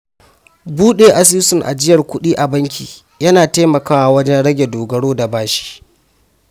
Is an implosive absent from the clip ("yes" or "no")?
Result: no